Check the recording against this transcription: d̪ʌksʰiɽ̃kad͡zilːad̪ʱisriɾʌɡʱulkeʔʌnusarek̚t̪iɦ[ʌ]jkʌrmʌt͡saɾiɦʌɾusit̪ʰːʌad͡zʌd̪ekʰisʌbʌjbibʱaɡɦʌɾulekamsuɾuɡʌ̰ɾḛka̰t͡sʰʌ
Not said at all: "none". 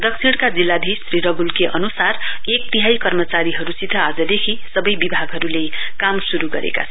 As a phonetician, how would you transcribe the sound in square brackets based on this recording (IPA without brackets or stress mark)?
a